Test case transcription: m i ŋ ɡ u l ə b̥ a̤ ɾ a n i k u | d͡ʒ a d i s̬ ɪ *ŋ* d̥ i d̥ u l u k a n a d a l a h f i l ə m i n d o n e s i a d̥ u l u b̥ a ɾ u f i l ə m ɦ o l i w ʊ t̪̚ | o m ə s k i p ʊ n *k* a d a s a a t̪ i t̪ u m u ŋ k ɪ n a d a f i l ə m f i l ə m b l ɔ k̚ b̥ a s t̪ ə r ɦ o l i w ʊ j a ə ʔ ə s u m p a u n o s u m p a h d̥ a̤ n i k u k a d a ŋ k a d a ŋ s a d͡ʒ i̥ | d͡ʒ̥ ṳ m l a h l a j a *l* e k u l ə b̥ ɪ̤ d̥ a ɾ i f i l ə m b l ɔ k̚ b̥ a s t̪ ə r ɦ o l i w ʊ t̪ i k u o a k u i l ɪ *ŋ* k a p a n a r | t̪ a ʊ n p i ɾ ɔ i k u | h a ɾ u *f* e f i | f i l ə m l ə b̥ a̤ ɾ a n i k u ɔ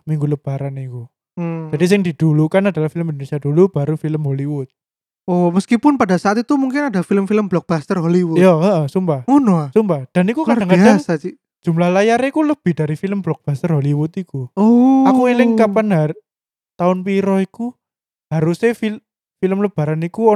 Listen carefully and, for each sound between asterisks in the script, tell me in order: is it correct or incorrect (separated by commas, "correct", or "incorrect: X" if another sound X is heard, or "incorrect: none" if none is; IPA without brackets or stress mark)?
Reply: correct, incorrect: p, incorrect: ɾ, correct, incorrect: s